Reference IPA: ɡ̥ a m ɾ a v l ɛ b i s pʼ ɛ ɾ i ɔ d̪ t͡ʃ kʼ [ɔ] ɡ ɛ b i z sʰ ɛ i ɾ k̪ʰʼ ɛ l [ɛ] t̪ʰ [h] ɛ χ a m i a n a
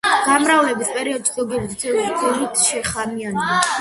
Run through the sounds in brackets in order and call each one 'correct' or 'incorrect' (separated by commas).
correct, incorrect, incorrect